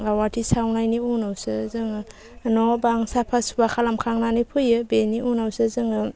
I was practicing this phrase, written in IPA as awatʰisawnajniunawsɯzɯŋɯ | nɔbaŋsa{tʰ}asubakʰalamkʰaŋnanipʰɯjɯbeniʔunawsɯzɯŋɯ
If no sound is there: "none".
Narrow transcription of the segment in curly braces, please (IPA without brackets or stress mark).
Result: pʰ